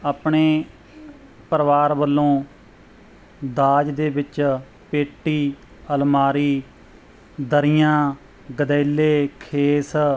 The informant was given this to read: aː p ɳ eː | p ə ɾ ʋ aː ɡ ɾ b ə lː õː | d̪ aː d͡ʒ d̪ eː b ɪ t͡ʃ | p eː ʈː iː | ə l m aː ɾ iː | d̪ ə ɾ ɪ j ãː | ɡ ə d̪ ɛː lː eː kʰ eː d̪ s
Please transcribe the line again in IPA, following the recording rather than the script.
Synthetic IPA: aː p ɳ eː | p ə ɾ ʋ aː ɾ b ə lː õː | d̪ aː d͡ʒ d̪ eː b ɪ t͡ʃ | p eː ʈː iː | ə l m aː ɾ iː | d̪ ə ɾ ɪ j ãː | ɡ ə d̪ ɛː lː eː kʰ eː s